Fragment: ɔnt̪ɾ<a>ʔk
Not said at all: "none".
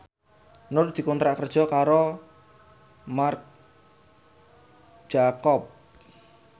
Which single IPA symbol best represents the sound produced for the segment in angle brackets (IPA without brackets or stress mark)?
a